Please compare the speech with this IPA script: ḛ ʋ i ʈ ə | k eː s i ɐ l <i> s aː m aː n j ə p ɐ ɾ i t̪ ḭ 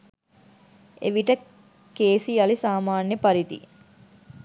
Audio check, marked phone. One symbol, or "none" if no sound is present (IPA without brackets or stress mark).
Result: i